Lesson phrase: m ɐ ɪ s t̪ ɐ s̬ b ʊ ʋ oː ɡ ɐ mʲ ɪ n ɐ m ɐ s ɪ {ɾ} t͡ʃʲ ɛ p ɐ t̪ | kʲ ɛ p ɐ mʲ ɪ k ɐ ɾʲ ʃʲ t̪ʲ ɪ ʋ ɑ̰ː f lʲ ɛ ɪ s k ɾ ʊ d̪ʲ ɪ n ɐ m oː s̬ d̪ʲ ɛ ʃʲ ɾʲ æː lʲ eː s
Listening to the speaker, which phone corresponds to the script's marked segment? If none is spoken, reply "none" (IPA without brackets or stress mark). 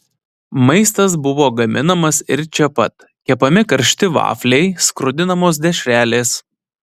ɾ